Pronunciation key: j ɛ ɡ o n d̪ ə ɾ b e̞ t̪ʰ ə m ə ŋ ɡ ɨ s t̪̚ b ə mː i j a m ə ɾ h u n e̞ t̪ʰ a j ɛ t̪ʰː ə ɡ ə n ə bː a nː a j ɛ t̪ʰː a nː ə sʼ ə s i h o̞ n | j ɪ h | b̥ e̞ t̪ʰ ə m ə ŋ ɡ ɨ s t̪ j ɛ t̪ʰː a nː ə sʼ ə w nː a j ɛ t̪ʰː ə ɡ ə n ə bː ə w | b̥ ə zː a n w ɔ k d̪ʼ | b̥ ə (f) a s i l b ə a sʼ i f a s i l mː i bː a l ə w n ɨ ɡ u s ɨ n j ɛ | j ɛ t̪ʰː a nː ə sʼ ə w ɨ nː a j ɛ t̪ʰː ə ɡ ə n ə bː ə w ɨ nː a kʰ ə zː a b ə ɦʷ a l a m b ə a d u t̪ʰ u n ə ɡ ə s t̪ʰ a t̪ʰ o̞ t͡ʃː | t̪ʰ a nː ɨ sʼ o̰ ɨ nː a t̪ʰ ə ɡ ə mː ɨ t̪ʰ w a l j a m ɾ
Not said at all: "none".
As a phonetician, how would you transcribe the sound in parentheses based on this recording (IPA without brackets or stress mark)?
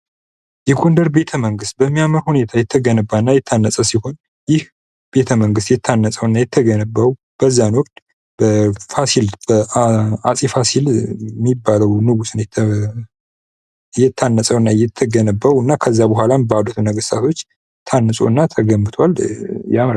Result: f